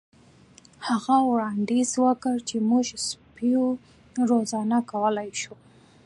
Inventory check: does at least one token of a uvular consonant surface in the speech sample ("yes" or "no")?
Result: no